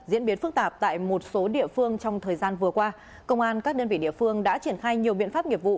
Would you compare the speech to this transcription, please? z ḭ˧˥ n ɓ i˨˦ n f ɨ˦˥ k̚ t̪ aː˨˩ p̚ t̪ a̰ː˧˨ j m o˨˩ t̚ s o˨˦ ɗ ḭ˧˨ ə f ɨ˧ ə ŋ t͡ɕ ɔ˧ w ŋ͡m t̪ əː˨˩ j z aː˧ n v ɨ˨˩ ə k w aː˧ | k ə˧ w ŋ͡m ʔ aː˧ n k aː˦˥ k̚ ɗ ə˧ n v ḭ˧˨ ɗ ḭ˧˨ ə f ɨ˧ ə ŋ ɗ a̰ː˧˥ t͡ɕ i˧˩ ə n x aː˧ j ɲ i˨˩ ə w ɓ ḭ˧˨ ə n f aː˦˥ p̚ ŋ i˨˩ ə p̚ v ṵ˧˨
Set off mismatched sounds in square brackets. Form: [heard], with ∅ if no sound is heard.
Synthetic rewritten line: z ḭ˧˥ n ɓ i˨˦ n f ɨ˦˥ k̚ t̪ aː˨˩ p̚ t̪ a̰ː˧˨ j m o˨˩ t̚ s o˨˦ ɗ ḭ˧˨ ə f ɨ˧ ə ŋ t͡ɕ ɔ˧ w ŋ͡m [t̪ʰ] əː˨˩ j z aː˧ n v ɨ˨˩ ə k w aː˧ | k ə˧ w ŋ͡m ʔ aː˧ n k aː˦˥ k̚ ɗ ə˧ n v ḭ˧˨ ɗ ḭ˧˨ ə f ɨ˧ ə ŋ ɗ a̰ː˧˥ t͡ɕ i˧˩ ə n x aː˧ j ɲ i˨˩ ə w ɓ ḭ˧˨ ə n f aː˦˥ p̚ ŋ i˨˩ ə p̚ v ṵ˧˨